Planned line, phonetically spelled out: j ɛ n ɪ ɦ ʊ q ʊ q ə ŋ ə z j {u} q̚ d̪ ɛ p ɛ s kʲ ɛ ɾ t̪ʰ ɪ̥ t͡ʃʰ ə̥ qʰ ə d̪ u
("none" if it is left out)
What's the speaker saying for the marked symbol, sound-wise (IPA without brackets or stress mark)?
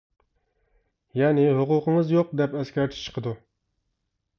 o